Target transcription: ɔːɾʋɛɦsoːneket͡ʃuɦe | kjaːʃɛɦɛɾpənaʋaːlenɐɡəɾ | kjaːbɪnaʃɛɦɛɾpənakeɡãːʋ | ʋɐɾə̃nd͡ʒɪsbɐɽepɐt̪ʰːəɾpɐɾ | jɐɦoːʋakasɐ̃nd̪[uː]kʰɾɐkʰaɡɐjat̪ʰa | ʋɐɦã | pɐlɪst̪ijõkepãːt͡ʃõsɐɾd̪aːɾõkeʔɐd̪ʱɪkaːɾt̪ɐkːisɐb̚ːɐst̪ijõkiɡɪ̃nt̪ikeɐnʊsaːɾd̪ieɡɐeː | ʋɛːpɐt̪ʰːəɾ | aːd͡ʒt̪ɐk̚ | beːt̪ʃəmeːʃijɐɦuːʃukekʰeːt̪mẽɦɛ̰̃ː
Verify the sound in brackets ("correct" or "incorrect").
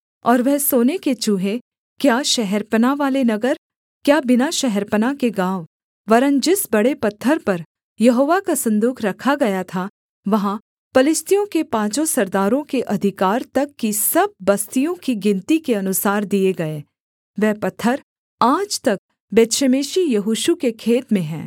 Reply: correct